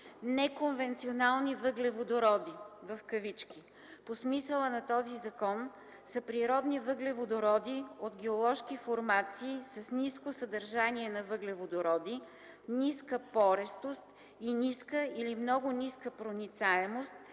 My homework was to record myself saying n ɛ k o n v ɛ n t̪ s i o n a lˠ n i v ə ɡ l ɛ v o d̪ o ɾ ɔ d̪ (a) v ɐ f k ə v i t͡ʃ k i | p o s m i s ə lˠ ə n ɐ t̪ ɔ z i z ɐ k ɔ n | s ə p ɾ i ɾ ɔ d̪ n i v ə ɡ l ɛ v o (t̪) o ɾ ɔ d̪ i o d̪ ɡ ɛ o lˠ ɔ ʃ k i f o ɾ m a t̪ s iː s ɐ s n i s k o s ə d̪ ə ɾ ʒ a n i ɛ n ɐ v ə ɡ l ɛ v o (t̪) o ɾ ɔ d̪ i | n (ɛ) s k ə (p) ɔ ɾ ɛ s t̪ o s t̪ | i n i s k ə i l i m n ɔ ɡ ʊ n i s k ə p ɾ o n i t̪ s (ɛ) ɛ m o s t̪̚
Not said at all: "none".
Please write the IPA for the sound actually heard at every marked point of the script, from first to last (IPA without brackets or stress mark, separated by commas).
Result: i, d̪, d̪, i, p, a